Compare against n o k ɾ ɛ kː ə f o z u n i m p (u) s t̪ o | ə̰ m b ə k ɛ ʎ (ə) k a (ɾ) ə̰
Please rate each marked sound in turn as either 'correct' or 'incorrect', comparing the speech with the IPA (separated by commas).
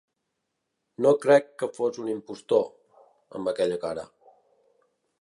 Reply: correct, correct, correct